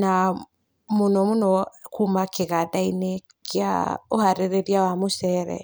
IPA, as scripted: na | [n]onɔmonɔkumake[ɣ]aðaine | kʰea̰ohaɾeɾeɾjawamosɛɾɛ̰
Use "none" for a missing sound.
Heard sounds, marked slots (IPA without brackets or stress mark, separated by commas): m, ɣ